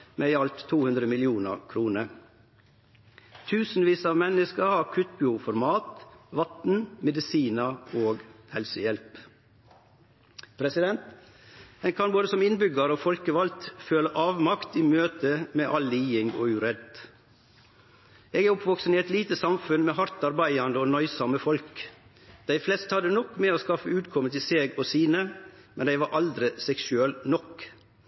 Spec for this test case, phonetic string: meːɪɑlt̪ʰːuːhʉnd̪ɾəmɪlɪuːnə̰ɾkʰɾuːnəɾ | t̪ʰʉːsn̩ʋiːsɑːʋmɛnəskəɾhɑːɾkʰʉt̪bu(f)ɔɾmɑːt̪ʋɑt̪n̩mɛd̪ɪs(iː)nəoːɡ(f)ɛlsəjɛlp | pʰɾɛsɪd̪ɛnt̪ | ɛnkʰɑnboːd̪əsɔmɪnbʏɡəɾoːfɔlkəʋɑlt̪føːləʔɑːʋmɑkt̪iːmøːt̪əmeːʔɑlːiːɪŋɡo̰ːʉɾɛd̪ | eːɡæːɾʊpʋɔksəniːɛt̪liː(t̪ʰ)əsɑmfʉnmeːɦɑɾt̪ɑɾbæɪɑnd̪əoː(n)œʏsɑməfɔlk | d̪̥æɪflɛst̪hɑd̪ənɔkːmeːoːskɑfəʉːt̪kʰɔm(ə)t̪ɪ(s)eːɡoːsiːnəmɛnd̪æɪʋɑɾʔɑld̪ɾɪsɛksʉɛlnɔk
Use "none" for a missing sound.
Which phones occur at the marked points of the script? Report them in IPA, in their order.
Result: f, iː, h, t̪, n, ə, s

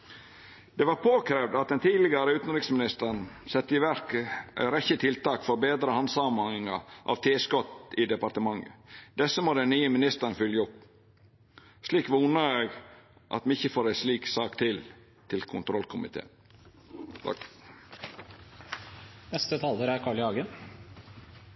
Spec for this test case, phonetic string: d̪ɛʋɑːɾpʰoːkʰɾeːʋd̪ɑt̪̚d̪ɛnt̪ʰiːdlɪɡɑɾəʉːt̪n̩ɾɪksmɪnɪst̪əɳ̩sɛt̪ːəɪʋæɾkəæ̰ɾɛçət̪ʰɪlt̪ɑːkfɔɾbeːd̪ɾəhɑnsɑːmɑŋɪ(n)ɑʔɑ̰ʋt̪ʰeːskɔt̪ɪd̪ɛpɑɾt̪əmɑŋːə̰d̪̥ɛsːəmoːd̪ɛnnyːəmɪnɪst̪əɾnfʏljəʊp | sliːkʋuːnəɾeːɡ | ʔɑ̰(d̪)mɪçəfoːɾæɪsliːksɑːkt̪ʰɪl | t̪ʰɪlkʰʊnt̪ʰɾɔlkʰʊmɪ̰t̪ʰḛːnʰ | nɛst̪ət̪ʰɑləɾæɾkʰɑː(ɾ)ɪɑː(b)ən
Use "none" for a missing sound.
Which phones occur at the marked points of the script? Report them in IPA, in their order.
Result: ŋ, t̪, ɭ, ɡ

